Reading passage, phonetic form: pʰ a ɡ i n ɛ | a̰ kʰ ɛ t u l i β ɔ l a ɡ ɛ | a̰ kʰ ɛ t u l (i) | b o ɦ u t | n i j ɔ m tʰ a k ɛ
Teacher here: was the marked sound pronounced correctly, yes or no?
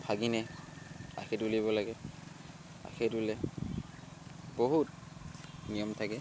no